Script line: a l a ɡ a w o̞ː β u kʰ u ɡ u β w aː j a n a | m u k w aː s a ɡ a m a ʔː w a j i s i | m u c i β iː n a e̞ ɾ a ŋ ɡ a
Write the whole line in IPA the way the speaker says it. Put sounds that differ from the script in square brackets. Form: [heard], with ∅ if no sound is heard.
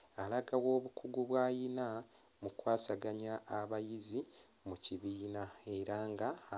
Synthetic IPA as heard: a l a ɡ a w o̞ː β u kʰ u ɡ u β w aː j [i] n a | m u k w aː s a ɡ a [ɲ] a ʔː [β] a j i [z] i | m u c i β iː n a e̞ ɾ a ŋ ɡ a